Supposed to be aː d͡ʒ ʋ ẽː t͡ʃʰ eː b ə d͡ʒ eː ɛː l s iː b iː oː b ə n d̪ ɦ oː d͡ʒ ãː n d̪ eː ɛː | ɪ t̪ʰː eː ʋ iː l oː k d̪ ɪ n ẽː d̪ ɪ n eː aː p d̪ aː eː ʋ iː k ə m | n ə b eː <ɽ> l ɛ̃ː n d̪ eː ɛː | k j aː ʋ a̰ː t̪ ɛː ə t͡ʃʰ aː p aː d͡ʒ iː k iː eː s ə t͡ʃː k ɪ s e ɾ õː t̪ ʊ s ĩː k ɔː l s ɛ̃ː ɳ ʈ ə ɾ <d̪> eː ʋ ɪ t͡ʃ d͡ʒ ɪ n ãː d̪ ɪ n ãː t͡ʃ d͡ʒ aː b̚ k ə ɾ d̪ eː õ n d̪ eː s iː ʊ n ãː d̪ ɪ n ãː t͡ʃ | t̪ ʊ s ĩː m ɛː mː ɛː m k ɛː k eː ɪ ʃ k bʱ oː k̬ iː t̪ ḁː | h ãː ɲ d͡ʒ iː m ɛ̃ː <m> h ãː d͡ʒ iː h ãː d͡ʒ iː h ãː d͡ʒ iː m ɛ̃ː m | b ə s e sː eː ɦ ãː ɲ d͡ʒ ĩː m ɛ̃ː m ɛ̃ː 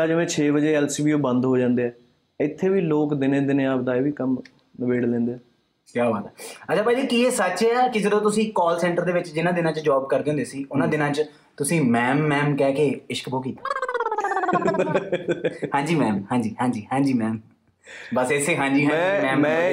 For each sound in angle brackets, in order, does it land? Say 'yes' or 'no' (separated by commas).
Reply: yes, yes, yes